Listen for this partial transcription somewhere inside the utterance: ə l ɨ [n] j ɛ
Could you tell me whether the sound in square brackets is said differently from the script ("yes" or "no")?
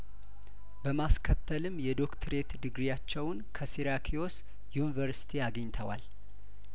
yes